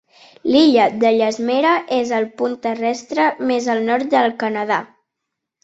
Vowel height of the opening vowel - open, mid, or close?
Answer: close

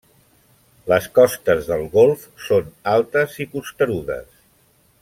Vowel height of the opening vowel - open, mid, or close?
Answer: mid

